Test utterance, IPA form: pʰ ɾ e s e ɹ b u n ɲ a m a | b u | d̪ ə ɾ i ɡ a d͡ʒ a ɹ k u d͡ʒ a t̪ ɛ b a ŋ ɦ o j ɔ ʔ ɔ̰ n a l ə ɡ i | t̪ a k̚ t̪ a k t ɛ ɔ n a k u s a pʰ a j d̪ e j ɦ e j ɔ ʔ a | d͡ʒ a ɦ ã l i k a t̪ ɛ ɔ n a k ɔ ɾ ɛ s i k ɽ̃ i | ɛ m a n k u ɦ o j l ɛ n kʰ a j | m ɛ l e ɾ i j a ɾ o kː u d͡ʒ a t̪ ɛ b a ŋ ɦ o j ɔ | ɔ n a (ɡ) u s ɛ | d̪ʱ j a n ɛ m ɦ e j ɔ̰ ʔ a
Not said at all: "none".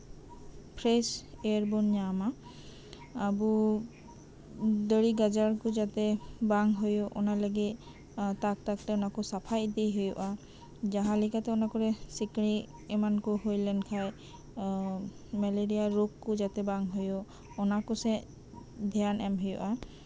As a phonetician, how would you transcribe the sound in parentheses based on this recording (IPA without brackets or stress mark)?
k